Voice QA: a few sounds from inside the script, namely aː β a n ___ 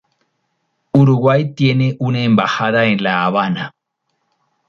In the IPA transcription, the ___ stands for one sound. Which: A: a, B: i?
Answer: A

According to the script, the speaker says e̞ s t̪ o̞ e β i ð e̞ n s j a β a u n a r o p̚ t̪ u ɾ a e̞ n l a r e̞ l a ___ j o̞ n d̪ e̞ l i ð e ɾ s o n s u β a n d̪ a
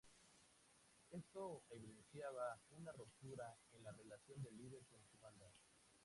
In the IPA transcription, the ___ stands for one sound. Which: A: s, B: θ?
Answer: A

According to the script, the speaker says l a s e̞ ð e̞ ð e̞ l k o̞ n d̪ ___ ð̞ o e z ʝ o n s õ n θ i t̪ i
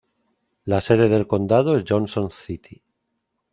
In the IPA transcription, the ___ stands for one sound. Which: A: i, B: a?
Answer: B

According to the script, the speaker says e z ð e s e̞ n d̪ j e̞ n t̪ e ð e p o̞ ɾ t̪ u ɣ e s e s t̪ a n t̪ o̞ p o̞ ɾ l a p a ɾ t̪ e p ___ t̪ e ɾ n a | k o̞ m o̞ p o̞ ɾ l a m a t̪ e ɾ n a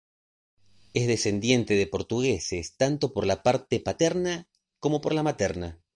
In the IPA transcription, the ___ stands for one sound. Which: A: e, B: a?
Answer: B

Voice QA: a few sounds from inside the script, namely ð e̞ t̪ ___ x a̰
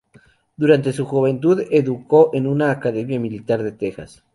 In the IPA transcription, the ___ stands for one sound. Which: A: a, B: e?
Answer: B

